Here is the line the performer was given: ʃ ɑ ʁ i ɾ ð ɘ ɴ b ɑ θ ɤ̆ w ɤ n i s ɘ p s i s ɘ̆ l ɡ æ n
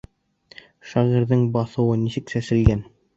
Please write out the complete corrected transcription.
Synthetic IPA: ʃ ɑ ʁ i ɾ ð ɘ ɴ b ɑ θ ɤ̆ w ɤ n i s ɘ k s æ s ɘ̆ l ɡ æ n